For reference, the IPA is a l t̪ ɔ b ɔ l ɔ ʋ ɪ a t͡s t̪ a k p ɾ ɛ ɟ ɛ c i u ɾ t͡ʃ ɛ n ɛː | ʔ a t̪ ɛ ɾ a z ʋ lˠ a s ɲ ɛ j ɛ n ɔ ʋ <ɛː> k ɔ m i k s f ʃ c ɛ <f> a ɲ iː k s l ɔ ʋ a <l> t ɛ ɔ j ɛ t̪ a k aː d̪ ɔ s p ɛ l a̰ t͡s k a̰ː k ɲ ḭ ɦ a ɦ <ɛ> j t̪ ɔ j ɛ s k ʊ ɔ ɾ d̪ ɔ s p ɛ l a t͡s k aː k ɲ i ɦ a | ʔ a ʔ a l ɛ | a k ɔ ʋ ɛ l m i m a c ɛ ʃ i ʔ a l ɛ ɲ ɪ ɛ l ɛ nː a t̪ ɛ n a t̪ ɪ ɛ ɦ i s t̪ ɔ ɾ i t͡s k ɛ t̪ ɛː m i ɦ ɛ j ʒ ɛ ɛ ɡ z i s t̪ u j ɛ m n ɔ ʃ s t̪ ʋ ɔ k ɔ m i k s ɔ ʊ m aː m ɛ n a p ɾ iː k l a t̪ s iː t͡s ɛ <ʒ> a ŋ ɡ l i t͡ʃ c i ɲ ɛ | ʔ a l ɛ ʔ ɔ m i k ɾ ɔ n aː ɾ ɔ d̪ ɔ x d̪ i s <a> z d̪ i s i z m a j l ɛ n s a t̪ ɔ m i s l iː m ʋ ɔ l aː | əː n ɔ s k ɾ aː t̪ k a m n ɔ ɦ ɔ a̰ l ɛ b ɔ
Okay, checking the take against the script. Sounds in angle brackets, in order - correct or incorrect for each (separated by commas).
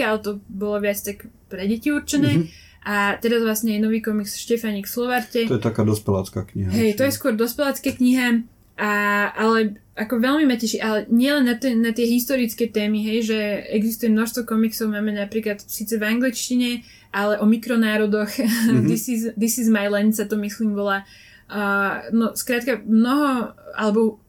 incorrect, correct, incorrect, correct, incorrect, incorrect